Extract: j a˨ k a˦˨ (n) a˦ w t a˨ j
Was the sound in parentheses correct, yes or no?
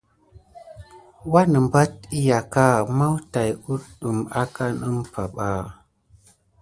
no